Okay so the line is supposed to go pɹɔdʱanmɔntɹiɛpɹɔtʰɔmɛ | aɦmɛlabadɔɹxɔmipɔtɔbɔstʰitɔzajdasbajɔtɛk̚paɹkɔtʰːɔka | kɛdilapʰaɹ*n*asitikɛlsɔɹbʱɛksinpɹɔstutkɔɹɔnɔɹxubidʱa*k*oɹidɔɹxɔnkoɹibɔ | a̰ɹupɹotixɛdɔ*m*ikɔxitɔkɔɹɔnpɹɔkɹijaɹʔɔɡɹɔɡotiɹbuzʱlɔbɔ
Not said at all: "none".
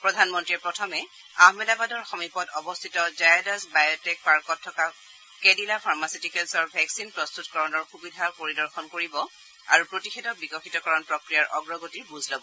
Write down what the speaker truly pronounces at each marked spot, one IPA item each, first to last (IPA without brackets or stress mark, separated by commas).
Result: m, p, b